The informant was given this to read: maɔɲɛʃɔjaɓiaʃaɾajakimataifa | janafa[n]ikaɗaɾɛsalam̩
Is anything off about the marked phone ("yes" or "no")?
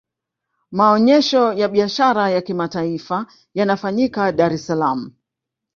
yes